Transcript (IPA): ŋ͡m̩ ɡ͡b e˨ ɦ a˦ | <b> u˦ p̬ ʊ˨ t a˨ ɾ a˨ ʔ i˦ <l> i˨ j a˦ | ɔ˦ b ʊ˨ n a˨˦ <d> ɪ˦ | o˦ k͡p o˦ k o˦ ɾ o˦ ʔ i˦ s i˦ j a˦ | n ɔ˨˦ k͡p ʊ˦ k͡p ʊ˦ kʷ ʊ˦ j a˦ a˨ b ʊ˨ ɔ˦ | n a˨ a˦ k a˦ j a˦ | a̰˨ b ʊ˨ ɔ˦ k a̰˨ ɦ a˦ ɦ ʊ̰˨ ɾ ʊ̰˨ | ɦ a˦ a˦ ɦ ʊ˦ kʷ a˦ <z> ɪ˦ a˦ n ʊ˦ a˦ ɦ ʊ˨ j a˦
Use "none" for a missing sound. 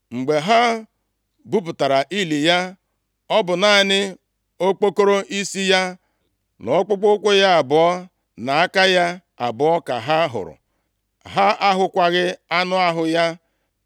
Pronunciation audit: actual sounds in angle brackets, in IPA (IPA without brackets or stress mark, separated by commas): b, l, n, ɣ